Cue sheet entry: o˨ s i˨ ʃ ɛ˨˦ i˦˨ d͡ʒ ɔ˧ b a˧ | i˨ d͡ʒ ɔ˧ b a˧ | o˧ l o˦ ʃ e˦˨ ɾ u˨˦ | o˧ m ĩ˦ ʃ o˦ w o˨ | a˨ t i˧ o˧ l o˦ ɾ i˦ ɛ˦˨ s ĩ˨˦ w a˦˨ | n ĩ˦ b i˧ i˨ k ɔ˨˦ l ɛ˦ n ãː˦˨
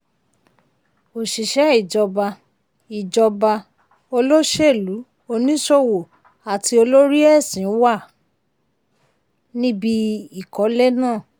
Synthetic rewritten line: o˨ ʃ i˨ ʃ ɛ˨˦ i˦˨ d͡ʒ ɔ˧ b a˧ | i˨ d͡ʒ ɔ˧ b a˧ | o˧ l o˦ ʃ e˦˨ l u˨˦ | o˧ n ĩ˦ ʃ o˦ w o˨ | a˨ t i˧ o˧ l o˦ ɾ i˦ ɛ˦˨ s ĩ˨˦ w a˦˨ | n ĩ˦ b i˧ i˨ k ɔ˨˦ l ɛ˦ n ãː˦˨